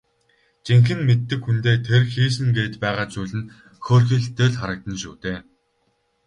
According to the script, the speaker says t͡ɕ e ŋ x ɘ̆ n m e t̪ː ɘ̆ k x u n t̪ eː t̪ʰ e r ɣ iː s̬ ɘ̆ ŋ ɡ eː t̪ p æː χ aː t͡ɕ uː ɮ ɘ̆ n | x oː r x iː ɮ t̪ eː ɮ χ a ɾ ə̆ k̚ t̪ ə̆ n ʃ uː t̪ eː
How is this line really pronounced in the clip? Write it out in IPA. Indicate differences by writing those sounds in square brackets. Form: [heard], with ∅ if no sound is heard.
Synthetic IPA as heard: t͡ɕ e ŋ x ɘ̆ n m e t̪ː ɘ̆ k x u n t̪ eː t̪ʰ e r [x] iː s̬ ɘ̆ ŋ ɡ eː t̪ p æː [ʁ] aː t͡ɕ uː ɮ ɘ̆ n | x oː r x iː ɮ t̪ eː ɮ χ a ɾ ə̆ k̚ t̪ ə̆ n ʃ uː t̪ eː